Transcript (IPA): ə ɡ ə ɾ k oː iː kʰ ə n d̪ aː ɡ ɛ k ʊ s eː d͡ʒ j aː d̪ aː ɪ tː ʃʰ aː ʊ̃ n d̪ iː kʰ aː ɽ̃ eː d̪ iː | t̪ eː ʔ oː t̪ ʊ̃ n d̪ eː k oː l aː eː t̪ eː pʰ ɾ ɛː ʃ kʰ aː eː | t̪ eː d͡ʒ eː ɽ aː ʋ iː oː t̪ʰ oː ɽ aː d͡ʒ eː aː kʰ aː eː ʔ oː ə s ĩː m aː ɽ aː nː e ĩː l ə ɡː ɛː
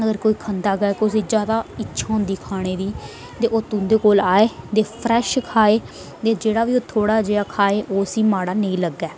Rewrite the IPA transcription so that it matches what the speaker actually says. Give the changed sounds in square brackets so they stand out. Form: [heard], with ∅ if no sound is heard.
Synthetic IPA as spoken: ə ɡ ə ɾ k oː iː kʰ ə n d̪ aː ɡ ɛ k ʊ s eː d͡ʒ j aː d̪ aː ɪ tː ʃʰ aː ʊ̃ n d̪ iː kʰ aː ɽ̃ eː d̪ iː | t̪ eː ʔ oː t̪ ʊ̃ n d̪ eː k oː l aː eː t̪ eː pʰ ɾ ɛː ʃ kʰ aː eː | t̪ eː d͡ʒ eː ɽ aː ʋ iː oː t̪ʰ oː ɽ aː d͡ʒ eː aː kʰ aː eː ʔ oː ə s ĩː m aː ɽ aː [n] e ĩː l ə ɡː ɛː